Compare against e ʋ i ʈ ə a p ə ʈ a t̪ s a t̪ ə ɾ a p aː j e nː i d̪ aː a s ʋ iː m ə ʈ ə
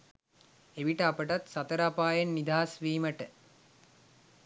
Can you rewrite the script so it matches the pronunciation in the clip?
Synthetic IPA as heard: e ʋ i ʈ ə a p ə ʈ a t̪ s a t̪ ə ɾ a p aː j e nː i d̪ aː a s ʋ iː m ə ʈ ə